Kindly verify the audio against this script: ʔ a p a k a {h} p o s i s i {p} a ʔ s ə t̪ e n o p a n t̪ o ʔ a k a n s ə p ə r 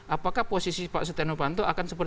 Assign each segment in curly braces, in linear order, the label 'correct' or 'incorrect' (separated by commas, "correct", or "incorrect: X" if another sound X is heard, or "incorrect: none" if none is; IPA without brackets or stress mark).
correct, correct